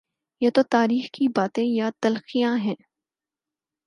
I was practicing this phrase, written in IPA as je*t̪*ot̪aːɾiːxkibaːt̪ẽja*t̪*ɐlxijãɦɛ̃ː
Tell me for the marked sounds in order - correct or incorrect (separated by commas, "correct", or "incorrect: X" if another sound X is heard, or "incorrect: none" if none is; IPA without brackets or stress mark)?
correct, correct